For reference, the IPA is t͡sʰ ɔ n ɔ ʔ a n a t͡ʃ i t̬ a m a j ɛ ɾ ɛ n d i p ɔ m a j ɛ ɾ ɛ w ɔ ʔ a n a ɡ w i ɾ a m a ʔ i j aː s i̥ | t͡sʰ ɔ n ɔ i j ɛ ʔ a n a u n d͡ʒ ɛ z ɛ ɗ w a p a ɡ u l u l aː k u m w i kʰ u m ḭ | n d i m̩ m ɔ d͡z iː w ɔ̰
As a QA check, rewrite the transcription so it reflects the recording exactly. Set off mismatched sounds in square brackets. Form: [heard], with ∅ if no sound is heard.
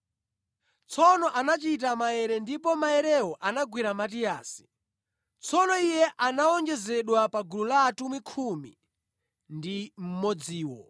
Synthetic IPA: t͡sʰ ɔ n ɔ ʔ a n a t͡ʃ i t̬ a m a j ɛ ɾ ɛ n d i p ɔ m a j ɛ ɾ ɛ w ɔ ʔ a n a ɡ w i ɾ a m a [t] i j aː s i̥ | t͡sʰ ɔ n ɔ i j ɛ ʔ a n a [ɔ] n d͡ʒ ɛ z ɛ ɗ w a p a ɡ u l u l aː [t] u m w i kʰ u m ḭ | n d i m̩ m ɔ d͡z iː w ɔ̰